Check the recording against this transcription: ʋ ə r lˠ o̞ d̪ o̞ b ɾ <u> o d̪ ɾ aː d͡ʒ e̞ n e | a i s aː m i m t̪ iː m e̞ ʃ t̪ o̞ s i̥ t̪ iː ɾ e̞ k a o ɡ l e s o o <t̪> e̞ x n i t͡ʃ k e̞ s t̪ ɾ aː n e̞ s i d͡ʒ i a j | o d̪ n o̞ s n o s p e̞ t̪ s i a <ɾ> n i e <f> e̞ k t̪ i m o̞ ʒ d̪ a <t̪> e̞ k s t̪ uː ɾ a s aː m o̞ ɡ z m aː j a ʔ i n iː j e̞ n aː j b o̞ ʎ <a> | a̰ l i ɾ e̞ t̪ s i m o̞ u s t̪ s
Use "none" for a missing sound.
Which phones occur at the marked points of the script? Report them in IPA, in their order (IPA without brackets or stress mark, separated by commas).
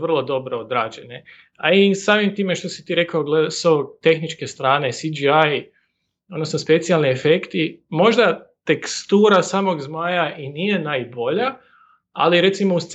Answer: o, t̪, l, f, t̪, a